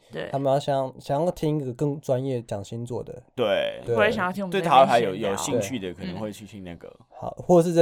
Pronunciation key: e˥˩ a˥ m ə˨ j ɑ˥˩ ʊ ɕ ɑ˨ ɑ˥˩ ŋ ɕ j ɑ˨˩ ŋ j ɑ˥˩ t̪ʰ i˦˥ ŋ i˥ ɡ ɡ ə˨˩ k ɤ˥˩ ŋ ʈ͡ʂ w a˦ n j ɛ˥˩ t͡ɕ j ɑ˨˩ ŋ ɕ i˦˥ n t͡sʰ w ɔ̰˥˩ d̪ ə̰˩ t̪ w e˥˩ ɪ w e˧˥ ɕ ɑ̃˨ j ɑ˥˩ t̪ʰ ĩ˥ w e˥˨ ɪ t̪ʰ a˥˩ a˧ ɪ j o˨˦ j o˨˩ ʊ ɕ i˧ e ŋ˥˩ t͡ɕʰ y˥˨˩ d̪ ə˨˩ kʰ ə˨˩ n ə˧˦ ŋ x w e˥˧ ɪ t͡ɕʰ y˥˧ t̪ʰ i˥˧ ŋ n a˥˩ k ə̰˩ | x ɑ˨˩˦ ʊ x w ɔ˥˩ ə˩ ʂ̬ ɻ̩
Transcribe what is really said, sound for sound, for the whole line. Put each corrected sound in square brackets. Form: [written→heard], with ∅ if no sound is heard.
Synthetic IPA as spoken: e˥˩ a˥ m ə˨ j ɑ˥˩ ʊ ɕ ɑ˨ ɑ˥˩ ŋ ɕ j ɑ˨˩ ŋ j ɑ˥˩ t̪ʰ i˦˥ ŋ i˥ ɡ ɡ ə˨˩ k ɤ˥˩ ŋ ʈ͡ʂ w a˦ n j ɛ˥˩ t͡ɕ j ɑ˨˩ ŋ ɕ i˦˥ n [t͡sʰ→t͡s] w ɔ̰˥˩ d̪ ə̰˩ t̪ w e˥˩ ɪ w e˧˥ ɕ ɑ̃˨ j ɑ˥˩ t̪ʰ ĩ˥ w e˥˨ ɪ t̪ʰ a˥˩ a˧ ɪ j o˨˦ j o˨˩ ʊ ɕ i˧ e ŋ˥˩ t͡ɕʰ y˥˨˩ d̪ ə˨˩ kʰ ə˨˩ n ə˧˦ ŋ x w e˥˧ ɪ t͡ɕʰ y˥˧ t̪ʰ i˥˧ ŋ n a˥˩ [k→ɡ] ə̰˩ | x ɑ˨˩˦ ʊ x w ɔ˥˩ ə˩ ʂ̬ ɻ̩